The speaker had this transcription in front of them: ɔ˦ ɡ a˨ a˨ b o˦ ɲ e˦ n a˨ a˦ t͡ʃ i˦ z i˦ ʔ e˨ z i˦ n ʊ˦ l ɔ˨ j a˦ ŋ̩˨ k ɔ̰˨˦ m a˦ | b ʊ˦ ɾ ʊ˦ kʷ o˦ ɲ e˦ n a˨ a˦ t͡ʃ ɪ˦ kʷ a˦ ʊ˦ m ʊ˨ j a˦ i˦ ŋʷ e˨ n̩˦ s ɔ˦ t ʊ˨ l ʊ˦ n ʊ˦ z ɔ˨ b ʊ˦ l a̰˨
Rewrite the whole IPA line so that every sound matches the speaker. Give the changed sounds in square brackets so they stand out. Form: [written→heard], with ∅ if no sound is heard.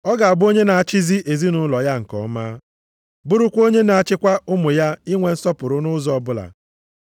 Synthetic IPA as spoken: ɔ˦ ɡ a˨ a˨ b o˦ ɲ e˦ n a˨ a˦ t͡ʃ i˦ z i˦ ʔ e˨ z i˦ n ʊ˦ l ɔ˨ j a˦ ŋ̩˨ k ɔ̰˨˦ m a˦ | b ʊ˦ ɾ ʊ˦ kʷ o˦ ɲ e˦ n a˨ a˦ t͡ʃ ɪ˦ kʷ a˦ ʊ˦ m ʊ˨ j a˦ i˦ ŋʷ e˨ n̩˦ s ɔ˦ [t→p] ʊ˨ [l→ɾ] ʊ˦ n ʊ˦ z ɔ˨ b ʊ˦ l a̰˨